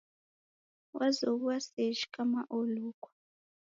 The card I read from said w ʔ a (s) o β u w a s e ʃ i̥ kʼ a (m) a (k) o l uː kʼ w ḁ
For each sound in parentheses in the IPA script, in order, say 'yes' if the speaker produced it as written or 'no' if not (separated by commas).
no, yes, no